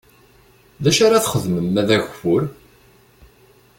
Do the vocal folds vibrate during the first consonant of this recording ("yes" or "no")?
yes